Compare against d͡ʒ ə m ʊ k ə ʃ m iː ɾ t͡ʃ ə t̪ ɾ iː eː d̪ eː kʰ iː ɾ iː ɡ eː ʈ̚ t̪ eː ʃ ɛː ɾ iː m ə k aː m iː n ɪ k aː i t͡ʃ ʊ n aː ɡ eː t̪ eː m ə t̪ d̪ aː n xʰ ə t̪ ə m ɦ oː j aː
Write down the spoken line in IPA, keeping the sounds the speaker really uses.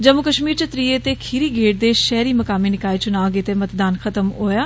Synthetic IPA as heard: d͡ʒ ə m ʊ k ə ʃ m iː ɾ t͡ʃ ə t̪ ɾ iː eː t̪ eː kʰ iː ɾ iː ɡ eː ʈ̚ d̪ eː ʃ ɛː ɾ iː m ə k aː m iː n ɪ k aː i t͡ʃ ʊ n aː ɡ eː t̪ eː m ə t̪ d̪ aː n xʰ ə t̪ ə m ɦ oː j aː

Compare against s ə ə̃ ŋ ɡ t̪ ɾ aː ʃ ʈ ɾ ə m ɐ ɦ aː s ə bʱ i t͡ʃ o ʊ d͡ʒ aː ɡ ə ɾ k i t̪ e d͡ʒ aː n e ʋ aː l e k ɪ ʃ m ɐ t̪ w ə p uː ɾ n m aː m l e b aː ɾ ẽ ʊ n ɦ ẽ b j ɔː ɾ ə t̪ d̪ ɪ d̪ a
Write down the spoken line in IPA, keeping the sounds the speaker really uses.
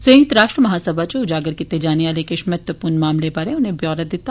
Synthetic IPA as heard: s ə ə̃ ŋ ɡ t̪ ɾ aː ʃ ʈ ɾ ə m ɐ ɦ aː s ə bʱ a t͡ʃ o ʊ d͡ʒ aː ɡ ə ɾ k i t̪ e d͡ʒ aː n e ʋ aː l e k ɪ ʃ m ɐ t̪ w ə p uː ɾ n m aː m l e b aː ɾ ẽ ʊ n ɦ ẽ b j ɔː ɾ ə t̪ d̪ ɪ t̪ a

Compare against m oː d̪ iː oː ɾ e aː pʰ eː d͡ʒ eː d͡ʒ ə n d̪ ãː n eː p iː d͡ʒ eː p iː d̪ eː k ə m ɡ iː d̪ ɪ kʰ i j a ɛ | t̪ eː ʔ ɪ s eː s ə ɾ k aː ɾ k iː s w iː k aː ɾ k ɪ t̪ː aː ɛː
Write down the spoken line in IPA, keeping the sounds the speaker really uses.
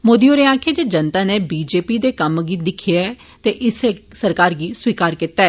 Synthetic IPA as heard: m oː d̪ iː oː ɾ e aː kʰ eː d͡ʒ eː d͡ʒ ə n t̪ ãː n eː b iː d͡ʒ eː p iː d̪ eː k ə m ɡ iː d̪ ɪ kʰ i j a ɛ | t̪ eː ʔ ɪ s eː s ə ɾ k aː ɾ ɡ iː s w iː k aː ɾ k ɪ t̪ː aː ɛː

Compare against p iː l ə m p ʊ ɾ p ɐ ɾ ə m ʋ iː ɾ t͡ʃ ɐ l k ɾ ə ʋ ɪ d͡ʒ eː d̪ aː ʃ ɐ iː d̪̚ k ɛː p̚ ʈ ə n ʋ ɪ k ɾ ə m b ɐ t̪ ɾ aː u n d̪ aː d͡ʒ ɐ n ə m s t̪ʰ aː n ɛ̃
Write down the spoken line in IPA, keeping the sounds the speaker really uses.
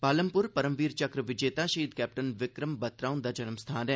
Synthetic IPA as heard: p aː l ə m p ʊ ɾ p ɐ ɾ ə m ʋ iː ɾ t͡ʃ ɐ k ɾ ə ʋ ɪ d͡ʒ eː t̪ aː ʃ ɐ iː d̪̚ k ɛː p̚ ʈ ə n ʋ ɪ k ɾ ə m b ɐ t̪ ɾ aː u n d̪ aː d͡ʒ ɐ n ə m s t̪ʰ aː n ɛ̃

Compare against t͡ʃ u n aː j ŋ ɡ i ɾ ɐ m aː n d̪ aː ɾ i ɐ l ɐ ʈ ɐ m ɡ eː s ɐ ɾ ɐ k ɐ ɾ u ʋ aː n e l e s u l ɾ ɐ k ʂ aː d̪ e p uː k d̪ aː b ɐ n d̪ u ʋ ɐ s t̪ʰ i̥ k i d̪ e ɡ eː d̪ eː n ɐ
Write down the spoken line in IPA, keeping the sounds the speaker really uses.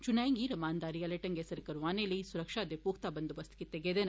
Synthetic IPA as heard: t͡ʃ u n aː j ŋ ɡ i ɾ ɐ m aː n d̪ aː ɾ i ɐ l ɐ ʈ ɐ ŋ ɡ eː s ɐ ɾ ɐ k ɐ ɾ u ʋ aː n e l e s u ɾ ɐ k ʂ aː d̪ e p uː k t̪ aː b ɐ n d̪ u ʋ ɐ s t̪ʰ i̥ k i t̪ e ɡ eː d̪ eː n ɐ

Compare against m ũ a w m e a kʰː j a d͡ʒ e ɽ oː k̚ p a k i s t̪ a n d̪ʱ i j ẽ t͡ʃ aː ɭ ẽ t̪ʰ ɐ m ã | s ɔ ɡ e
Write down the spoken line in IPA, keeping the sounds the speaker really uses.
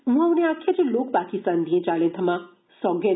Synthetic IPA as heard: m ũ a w n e a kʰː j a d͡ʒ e l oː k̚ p a k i s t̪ a n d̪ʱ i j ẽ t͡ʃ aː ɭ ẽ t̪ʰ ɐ m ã | s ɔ ɡ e

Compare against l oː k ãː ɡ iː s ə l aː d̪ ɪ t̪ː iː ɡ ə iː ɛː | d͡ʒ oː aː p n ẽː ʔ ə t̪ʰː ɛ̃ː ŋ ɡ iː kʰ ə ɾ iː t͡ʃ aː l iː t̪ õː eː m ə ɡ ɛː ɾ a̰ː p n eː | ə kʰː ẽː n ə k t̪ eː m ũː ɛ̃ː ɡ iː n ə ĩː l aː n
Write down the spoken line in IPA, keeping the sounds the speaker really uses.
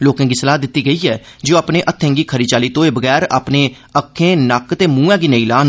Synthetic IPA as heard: l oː k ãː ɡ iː s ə l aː d̪ ɪ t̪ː iː ɡ ə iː ɛː | d͡ʒ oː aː p n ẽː ʔ ə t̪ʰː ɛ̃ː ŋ ɡ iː kʰ ə ɾ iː t͡ʃ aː l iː t̪ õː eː b ə ɡ ɛː ɾ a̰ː p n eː | ə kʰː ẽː n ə k t̪ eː m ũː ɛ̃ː ɡ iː n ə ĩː l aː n

